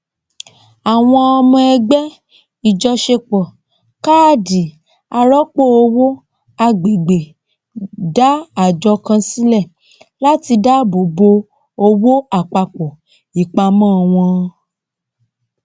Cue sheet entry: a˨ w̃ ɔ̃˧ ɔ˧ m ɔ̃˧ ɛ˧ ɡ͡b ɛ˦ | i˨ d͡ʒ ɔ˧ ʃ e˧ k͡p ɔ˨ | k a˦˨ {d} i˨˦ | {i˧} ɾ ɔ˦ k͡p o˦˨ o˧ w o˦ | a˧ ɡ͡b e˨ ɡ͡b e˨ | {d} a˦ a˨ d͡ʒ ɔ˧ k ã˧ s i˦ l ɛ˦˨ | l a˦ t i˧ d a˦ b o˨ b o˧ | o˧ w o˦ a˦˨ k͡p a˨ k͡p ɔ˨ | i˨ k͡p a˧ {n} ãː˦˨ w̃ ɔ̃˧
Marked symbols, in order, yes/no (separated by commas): yes, no, yes, no